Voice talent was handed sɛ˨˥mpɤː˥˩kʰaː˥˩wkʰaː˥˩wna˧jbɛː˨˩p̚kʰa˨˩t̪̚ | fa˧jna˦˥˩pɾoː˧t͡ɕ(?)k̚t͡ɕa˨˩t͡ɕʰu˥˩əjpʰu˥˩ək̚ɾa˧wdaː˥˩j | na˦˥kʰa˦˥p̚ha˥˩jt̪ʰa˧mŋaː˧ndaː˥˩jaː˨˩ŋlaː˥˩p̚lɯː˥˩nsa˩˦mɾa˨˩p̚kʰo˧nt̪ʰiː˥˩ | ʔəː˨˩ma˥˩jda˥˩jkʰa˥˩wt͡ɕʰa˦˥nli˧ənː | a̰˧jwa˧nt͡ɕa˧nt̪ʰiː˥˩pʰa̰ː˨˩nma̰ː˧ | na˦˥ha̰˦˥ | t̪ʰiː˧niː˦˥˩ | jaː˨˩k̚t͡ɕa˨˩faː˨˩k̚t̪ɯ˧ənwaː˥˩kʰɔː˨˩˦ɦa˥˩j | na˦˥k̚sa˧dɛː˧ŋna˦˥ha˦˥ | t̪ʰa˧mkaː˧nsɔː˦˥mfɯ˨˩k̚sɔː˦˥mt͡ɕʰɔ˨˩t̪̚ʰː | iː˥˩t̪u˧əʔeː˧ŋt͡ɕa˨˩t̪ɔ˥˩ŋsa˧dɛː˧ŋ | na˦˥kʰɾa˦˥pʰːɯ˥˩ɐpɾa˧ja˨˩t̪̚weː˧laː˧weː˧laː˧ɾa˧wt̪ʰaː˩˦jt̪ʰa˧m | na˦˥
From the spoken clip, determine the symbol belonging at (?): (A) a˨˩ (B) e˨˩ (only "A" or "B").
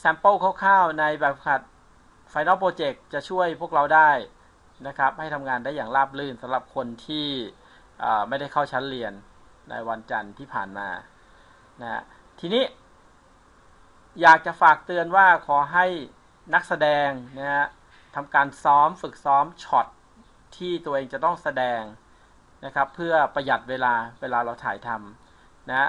B